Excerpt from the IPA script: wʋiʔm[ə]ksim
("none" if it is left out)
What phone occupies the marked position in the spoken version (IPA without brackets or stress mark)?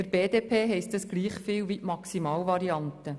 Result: ɑ